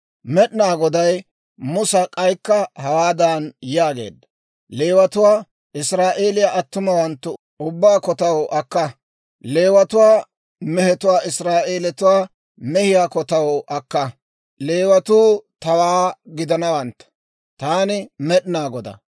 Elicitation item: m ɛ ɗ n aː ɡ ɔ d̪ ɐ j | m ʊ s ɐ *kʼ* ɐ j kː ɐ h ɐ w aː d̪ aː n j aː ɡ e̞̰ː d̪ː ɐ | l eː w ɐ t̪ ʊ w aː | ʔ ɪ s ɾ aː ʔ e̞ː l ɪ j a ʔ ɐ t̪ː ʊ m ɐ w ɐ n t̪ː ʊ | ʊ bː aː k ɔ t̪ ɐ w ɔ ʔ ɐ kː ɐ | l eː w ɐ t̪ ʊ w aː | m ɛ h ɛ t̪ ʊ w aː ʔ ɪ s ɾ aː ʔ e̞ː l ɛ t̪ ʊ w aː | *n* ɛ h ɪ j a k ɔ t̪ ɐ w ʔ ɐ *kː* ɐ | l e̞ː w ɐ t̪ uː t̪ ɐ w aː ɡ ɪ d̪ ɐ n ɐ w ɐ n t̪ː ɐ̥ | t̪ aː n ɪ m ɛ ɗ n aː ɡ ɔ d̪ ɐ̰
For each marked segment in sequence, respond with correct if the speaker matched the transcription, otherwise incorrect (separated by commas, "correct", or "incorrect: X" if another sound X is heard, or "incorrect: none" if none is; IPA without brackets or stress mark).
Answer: correct, incorrect: m, correct